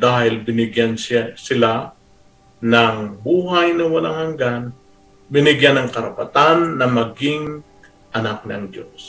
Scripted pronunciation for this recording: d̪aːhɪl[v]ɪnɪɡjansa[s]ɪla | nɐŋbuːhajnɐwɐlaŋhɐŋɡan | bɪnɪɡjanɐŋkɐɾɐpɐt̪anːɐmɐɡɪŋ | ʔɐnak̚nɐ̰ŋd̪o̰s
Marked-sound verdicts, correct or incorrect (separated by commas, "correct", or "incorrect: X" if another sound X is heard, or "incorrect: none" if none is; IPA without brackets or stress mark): incorrect: b, correct